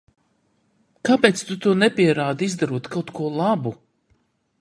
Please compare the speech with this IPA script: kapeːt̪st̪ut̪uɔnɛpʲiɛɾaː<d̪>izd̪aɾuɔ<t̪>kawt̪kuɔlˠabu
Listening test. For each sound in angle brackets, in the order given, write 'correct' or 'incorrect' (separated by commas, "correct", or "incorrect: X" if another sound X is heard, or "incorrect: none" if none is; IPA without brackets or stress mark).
correct, correct